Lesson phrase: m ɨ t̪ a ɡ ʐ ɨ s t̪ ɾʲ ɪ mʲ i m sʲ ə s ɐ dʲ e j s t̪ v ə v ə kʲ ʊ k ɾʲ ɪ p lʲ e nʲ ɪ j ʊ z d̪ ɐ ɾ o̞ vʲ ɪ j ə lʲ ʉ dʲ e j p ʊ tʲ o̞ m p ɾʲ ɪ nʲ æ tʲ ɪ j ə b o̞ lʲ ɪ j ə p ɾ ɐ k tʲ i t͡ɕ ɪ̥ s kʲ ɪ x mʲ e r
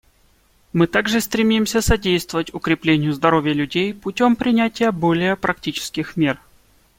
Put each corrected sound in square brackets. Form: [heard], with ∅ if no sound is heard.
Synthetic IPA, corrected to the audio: m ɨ t̪ a ɡ ʐ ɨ s t̪ ɾʲ ɪ mʲ i m sʲ ə s ɐ dʲ e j s t̪ v ə v ə [tʲ] ʊ k ɾʲ ɪ p lʲ e nʲ ɪ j ʊ z d̪ ɐ ɾ o̞ vʲ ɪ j ə lʲ ʉ dʲ e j p ʊ tʲ o̞ m p ɾʲ ɪ nʲ æ tʲ ɪ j ə b o̞ lʲ ɪ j ə p ɾ ɐ k tʲ i t͡ɕ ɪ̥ s kʲ ɪ x mʲ e r